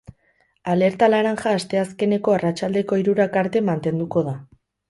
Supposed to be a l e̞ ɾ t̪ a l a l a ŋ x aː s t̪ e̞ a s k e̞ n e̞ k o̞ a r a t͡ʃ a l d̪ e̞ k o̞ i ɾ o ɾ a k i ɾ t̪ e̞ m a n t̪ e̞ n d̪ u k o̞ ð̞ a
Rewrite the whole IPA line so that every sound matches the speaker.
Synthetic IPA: a l e̞ ɾ t̪ a l a ɾ a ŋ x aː s t̪ e̞ a s k e̞ n e̞ k o̞ a r a t͡ʃ a l d̪ e̞ k o̞ i ɾ u ɾ a k a ɾ t̪ e̞ m a n t̪ e̞ n d̪ u k o̞ ð̞ a